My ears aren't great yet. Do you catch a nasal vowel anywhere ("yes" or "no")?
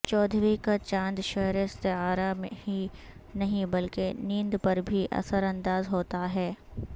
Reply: yes